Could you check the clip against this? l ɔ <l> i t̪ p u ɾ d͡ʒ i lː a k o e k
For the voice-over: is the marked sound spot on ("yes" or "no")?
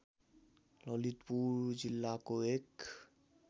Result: yes